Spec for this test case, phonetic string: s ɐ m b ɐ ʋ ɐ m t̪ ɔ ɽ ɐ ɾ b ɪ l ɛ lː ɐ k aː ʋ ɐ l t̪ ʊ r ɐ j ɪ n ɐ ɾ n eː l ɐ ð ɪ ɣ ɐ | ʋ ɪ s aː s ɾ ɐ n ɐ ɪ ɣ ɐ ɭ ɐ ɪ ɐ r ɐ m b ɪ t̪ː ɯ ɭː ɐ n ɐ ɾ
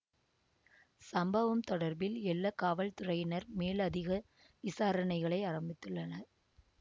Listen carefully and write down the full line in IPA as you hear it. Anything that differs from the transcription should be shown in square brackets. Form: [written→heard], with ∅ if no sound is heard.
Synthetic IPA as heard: s ɐ m b ɐ ʋ ɐ m t̪ ɔ ɽ ɐ ɾ b ɪ l ɛ lː ɐ k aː ʋ ɐ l t̪ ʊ r ɐ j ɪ n ɐ ɾ [n→m] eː l ɐ ð ɪ ɣ ɐ | ʋ ɪ s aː [s→∅] ɾ ɐ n ɐ ɪ ɣ ɐ ɭ ɐ ɪ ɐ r ɐ m b ɪ t̪ː ɯ ɭː ɐ n ɐ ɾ

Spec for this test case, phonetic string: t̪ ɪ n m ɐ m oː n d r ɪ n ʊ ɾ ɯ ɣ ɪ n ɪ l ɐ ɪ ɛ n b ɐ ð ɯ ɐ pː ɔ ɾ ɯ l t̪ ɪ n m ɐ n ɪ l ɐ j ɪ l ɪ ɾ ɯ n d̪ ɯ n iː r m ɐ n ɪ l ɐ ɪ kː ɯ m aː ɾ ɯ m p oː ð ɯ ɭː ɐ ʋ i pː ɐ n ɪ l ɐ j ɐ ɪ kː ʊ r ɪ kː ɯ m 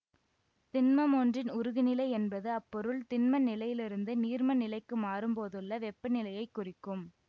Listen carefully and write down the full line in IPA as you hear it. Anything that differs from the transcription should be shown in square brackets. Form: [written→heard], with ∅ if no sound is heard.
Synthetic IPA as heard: t̪ ɪ n m ɐ m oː n d r ɪ n ʊ ɾ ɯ ɣ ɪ n ɪ l ɐ ɪ ɛ n b ɐ ð ɯ ɐ pː ɔ ɾ ɯ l t̪ ɪ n m ɐ n ɪ l ɐ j ɪ l ɪ ɾ ɯ n d̪ ɯ n iː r m ɐ n ɪ l ɐ ɪ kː ɯ m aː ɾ ɯ m p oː ð ɯ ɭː ɐ ʋ [i→ɛ] pː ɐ n ɪ l ɐ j ɐ ɪ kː ʊ r ɪ kː ɯ m

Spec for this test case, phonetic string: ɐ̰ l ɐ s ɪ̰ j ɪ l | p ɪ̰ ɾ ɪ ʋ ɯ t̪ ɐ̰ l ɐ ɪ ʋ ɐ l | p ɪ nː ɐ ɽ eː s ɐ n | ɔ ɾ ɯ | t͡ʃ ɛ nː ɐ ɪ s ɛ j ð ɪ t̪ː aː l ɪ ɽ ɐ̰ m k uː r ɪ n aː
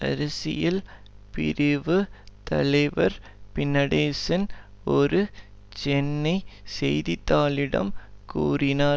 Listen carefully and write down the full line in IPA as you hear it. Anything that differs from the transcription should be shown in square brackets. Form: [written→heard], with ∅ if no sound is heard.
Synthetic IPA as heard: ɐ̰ [l→ɾ] ɐ s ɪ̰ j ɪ l | p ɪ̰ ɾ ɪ ʋ ɯ t̪ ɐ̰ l ɐ ɪ ʋ ɐ [l→ɾ] | p ɪ nː ɐ ɽ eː s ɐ n | ɔ ɾ ɯ | t͡ʃ ɛ nː ɐ ɪ s ɛ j ð ɪ t̪ː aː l ɪ ɽ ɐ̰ m k uː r ɪ n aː

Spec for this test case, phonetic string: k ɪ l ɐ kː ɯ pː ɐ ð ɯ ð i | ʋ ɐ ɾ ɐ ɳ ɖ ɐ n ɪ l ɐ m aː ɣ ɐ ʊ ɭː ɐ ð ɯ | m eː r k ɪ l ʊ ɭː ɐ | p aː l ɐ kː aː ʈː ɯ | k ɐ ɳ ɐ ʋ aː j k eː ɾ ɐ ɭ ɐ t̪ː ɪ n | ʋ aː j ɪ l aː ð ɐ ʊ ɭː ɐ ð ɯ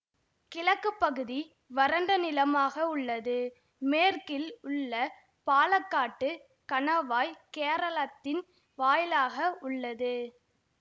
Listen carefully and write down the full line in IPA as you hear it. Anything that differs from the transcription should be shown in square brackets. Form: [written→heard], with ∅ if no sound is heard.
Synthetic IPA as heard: k ɪ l ɐ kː ɯ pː ɐ [ð→ɣ] ɯ ð i | ʋ ɐ ɾ ɐ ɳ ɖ ɐ n ɪ l ɐ m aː ɣ ɐ ʊ ɭː ɐ ð ɯ | m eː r k ɪ l ʊ ɭː ɐ | p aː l ɐ kː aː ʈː ɯ | k ɐ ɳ ɐ ʋ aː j k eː ɾ ɐ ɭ ɐ t̪ː ɪ n | ʋ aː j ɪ l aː [ð→ɣ] ɐ ʊ ɭː ɐ ð ɯ

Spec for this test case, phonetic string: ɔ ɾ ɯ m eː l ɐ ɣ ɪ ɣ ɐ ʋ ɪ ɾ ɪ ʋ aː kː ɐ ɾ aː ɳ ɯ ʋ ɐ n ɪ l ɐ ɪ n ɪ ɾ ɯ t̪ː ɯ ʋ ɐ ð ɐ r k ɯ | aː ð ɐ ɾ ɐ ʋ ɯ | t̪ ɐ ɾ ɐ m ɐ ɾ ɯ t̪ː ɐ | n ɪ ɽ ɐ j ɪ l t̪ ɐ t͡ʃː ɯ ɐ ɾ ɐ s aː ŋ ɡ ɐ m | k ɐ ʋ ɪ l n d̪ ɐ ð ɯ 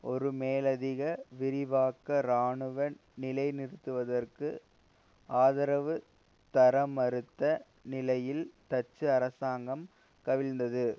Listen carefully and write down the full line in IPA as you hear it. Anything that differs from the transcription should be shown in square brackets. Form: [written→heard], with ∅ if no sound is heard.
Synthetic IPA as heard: ɔ ɾ ɯ m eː l ɐ [ɣ→ð] ɪ ɣ ɐ ʋ ɪ ɾ ɪ ʋ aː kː ɐ ɾ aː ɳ ɯ ʋ ɐ n ɪ l ɐ ɪ n ɪ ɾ ɯ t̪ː ɯ ʋ ɐ ð ɐ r k ɯ | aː ð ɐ ɾ ɐ ʋ ɯ | t̪ ɐ ɾ ɐ m ɐ ɾ ɯ t̪ː ɐ | n ɪ [ɽ→l] ɐ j ɪ l t̪ ɐ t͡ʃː ɯ ɐ ɾ ɐ s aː ŋ ɡ ɐ m | k ɐ ʋ ɪ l n d̪ ɐ ð ɯ

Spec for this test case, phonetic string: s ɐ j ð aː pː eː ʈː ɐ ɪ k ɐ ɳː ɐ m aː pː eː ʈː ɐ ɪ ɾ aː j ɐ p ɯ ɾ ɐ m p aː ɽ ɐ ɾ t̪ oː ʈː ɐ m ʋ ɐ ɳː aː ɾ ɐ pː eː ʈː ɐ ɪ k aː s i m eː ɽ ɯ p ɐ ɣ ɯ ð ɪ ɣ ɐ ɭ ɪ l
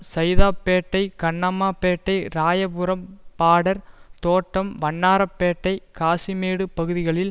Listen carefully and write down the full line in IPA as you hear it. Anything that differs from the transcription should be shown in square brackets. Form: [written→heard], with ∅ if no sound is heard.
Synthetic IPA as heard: s ɐ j ð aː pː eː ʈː ɐ ɪ k ɐ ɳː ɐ m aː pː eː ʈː ɐ ɪ ɾ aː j ɐ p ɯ ɾ ɐ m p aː ɽ ɐ ɾ t̪ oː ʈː ɐ m ʋ ɐ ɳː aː ɾ ɐ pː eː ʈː ɐ ɪ k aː s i m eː ɽ ɯ p ɐ ɣ ɯ ð ɪ ɣ ɐ ɭ ɪ l

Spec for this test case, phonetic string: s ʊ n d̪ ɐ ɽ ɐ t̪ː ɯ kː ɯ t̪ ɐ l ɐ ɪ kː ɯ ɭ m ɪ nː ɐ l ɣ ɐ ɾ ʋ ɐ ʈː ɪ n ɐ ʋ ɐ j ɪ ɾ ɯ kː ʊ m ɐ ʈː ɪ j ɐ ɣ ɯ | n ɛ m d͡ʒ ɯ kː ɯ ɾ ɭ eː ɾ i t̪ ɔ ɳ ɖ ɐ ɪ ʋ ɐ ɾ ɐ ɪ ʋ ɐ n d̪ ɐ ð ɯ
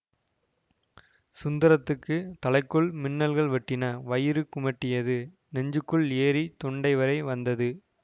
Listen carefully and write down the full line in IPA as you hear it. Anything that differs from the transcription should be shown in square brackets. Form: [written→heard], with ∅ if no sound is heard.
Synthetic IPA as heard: s ʊ n d̪ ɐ [ɽ→ɾ] ɐ t̪ː ɯ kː ɯ t̪ ɐ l ɐ ɪ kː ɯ ɭ m ɪ nː ɐ l ɣ ɐ [ɾ→ɭ] ʋ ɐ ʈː ɪ n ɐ ʋ ɐ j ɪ ɾ ɯ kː ʊ m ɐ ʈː ɪ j ɐ [ɣ→ð] ɯ | n ɛ [m→ɲ] d͡ʒ ɯ kː ɯ [ɾ→∅] ɭ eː ɾ i t̪ ɔ ɳ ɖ ɐ ɪ ʋ ɐ ɾ ɐ ɪ ʋ ɐ n d̪ ɐ ð ɯ

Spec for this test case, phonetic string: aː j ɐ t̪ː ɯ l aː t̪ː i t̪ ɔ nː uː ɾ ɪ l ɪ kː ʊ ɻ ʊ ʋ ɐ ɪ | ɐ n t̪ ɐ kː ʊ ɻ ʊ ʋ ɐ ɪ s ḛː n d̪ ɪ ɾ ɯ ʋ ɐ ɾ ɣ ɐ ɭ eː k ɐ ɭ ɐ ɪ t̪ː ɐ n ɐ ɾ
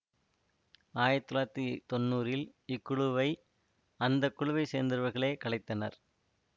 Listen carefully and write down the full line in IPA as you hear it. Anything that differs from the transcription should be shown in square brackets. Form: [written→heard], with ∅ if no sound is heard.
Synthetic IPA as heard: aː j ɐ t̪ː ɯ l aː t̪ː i t̪ ɔ nː uː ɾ ɪ l ɪ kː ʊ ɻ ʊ ʋ ɐ ɪ | ɐ n [t̪→d̪] ɐ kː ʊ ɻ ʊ ʋ ɐ ɪ s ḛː n d̪ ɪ ɾ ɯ ʋ ɐ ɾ ɣ ɐ ɭ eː k ɐ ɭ ɐ ɪ t̪ː ɐ n ɐ ɾ

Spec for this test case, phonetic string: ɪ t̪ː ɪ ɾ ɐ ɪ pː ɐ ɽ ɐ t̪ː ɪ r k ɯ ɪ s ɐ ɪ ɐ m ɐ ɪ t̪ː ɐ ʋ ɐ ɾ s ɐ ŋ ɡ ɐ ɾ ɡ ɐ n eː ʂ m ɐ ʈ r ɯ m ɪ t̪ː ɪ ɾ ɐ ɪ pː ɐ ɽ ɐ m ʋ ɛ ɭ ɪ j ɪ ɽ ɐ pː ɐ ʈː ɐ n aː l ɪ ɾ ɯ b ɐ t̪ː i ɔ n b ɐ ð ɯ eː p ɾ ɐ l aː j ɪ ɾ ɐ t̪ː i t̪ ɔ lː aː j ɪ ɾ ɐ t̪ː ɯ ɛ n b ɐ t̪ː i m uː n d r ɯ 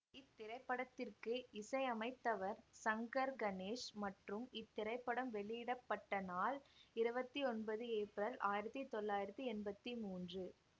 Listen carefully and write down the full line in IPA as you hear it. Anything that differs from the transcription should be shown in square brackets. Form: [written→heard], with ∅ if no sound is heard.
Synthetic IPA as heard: ɪ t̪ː ɪ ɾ ɐ ɪ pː ɐ ɽ ɐ t̪ː ɪ r k ɯ ɪ s ɐ ɪ ɐ m ɐ ɪ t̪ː ɐ ʋ ɐ ɾ s ɐ ŋ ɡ ɐ ɾ ɡ ɐ n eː ʂ m ɐ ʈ r ɯ m ɪ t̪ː ɪ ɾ ɐ ɪ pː ɐ ɽ ɐ m ʋ ɛ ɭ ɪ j ɪ ɽ ɐ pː ɐ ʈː ɐ n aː l ɪ ɾ ɯ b ɐ t̪ː i ɔ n b ɐ ð ɯ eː p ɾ ɐ l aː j ɪ ɾ ɐ t̪ː i t̪ ɔ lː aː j ɪ ɾ ɐ t̪ː ɯ ɛ n b ɐ t̪ː i m uː n d r ɯ

